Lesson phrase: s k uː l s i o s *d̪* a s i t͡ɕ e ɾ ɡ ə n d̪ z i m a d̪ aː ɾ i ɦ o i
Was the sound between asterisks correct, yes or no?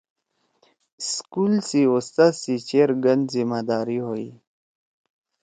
no